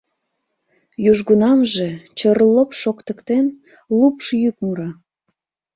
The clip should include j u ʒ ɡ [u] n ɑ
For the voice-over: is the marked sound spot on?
yes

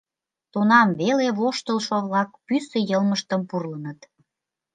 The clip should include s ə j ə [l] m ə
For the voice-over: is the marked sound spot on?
yes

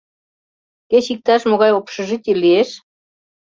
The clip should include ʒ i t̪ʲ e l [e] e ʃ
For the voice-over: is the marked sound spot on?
no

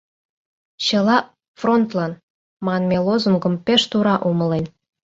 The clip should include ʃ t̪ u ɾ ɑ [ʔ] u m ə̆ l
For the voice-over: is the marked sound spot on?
yes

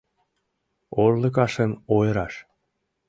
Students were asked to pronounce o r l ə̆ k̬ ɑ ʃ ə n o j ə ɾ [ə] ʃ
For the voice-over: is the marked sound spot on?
no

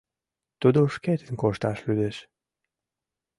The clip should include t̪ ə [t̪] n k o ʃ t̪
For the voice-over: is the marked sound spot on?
no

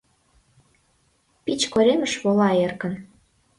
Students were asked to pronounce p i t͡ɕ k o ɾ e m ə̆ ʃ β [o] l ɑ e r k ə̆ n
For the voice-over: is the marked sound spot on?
yes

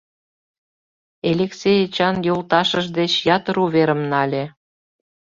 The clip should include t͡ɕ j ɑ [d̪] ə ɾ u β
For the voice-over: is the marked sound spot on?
no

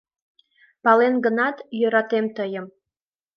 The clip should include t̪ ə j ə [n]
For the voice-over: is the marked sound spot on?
no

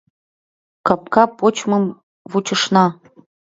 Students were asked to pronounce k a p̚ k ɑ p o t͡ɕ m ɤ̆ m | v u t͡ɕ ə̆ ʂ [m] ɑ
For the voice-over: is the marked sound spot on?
no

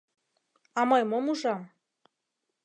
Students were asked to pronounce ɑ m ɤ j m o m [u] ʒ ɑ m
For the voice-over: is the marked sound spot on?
yes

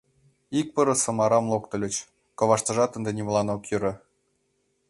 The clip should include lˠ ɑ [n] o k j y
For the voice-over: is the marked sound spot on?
yes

